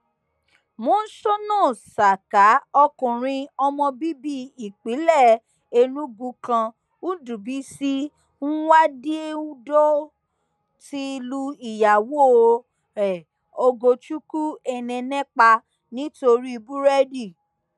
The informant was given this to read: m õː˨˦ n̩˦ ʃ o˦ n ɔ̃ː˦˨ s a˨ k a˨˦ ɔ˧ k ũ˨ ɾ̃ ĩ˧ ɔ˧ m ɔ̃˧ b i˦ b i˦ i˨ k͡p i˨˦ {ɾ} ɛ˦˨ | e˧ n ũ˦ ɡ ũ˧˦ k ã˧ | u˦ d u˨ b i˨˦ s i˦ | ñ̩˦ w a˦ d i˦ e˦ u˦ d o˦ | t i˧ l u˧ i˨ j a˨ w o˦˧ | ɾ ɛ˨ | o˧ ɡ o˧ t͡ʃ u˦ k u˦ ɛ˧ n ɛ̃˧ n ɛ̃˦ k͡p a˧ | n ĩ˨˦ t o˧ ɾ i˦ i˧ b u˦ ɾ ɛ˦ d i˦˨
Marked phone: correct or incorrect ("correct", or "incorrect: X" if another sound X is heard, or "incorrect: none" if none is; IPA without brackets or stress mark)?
incorrect: l